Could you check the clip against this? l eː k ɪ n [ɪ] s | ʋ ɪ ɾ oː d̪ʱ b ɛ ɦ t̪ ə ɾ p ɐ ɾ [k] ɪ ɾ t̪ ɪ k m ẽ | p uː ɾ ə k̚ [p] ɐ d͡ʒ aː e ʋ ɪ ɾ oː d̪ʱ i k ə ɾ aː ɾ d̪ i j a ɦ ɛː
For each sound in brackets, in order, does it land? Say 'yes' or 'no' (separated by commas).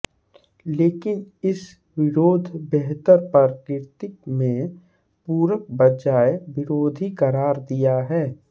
yes, yes, no